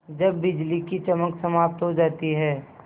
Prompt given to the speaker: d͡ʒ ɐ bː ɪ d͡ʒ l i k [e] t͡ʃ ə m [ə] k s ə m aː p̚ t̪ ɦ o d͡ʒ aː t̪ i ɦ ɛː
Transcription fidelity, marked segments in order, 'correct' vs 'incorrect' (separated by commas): incorrect, correct